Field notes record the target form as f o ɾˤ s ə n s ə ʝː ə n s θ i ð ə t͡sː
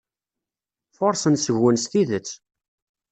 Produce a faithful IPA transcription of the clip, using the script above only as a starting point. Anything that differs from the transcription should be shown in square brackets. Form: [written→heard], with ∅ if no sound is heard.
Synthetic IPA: f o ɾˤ s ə n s ə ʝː ə n s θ i ð ə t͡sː